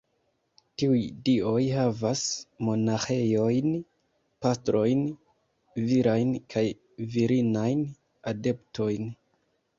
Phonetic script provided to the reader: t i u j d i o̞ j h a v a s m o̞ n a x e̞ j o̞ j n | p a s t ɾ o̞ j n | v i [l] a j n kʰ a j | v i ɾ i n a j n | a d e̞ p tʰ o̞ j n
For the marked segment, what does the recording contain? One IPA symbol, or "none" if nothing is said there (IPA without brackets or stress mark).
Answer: ɾ